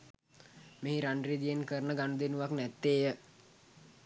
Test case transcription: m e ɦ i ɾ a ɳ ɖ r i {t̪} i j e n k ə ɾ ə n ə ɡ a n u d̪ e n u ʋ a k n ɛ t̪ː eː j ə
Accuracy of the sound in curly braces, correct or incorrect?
incorrect